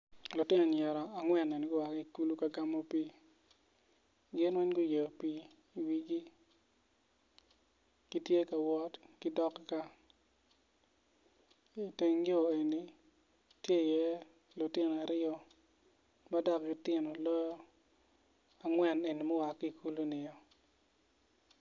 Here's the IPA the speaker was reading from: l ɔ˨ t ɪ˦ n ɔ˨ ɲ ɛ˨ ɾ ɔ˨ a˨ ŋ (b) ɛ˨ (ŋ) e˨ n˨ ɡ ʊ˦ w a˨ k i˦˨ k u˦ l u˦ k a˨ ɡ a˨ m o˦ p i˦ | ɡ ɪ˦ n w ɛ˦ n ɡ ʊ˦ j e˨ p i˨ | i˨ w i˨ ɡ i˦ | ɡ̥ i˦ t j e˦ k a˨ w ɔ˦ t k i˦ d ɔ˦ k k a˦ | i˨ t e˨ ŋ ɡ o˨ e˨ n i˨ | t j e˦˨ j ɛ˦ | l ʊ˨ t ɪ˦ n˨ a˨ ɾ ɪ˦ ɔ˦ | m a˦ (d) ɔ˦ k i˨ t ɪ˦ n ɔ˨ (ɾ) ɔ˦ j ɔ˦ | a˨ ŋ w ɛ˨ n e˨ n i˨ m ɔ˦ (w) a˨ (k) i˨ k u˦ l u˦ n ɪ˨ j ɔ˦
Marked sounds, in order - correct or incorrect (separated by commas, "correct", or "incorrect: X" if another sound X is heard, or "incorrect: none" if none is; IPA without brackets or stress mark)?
incorrect: w, incorrect: n, correct, incorrect: l, correct, correct